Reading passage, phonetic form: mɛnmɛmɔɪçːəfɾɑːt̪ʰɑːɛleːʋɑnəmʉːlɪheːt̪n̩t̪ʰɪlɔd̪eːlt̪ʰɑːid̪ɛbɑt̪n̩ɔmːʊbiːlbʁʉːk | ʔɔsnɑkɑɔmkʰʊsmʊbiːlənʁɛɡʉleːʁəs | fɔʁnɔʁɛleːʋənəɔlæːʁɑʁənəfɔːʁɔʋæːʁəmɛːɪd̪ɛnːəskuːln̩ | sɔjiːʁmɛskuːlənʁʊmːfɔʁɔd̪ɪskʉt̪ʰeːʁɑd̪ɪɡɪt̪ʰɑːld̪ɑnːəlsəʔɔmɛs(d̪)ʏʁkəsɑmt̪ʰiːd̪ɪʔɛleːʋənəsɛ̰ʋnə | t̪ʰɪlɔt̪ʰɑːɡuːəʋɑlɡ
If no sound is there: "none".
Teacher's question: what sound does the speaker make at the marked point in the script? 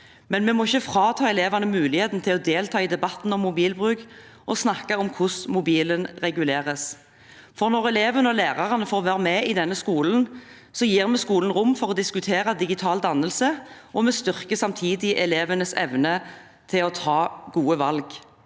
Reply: t̪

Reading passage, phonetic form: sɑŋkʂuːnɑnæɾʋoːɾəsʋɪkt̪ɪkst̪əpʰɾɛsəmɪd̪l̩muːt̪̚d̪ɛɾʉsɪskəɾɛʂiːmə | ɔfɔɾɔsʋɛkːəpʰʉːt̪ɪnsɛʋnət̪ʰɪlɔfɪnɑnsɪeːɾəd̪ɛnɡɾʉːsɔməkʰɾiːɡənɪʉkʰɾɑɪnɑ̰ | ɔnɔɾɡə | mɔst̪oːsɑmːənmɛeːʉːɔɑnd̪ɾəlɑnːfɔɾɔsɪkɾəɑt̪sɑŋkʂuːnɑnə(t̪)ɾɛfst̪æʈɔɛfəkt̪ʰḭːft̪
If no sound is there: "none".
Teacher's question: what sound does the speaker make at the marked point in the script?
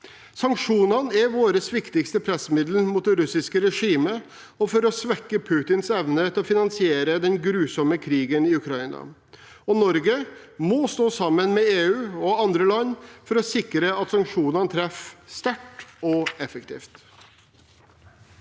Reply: t̪ʰ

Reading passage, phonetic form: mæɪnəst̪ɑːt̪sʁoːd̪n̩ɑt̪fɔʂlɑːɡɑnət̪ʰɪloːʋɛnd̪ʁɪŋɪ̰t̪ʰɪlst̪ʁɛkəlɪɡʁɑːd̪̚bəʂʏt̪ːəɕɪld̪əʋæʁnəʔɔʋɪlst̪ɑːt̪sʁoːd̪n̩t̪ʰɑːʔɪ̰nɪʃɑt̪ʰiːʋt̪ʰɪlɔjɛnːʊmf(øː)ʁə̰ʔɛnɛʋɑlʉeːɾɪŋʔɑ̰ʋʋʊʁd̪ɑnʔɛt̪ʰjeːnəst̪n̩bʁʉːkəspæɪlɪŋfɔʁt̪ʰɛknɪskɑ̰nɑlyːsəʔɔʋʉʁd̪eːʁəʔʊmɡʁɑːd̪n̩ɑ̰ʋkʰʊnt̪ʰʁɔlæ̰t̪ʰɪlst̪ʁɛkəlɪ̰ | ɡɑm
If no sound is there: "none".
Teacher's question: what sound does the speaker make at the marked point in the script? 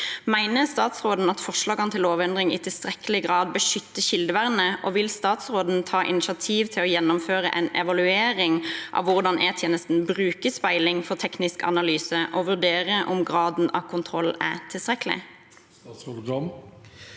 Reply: øː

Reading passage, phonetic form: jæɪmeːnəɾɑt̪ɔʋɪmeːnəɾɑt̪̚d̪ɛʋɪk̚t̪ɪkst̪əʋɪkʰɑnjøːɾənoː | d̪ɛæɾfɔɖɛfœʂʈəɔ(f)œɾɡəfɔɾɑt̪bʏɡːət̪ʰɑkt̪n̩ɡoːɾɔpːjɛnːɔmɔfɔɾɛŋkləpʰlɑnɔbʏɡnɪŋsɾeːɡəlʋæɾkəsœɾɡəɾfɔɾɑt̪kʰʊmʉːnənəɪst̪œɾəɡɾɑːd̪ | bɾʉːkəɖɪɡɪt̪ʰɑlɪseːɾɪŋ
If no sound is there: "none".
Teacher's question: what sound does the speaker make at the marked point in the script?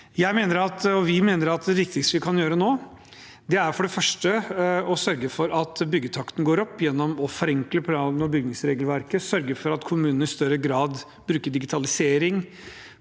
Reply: s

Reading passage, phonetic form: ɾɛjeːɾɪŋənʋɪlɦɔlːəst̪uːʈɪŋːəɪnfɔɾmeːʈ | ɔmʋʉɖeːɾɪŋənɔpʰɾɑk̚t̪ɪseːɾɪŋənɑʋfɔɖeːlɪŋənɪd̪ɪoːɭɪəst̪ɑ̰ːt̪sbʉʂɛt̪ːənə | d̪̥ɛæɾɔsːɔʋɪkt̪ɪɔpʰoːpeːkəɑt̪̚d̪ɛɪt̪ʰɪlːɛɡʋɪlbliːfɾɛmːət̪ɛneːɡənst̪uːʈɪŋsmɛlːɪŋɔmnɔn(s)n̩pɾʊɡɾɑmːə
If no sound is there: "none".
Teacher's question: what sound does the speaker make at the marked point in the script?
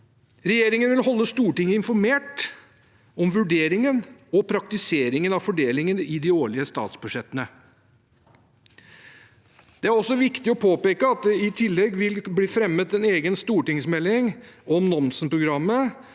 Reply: s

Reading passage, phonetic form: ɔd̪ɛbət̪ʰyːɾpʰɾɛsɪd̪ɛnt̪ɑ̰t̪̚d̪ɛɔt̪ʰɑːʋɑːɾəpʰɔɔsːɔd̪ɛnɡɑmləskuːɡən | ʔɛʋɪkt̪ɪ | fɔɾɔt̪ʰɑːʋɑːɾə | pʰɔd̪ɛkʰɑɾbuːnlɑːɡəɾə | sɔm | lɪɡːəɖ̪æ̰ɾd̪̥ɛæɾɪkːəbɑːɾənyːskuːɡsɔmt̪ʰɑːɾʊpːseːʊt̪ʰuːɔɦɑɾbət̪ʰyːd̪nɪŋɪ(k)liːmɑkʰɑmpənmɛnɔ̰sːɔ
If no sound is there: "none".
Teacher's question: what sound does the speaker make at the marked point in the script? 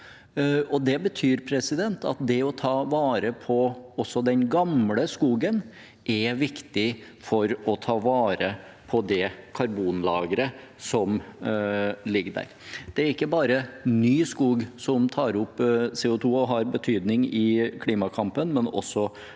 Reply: kʰ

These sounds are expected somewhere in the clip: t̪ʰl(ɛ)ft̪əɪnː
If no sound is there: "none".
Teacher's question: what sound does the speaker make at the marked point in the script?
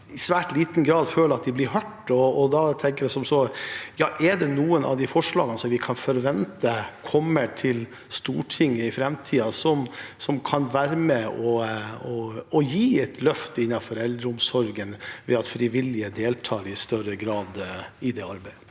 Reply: œ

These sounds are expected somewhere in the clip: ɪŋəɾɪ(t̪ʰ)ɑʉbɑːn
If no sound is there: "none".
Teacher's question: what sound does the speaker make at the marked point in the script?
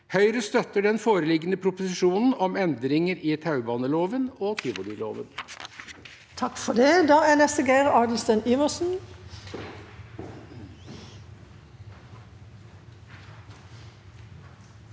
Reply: t̪ʰ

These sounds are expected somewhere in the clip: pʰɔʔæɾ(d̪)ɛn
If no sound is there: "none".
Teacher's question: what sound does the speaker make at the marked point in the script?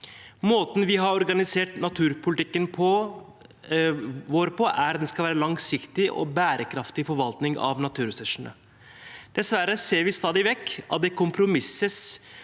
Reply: d̪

